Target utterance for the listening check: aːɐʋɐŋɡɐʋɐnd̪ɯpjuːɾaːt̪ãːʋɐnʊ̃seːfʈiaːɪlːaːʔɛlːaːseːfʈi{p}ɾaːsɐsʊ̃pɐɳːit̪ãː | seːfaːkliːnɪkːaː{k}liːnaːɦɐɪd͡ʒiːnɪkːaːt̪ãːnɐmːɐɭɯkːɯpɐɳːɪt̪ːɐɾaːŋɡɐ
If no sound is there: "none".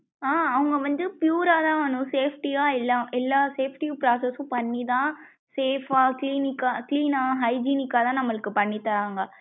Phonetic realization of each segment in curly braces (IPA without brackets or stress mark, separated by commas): p, k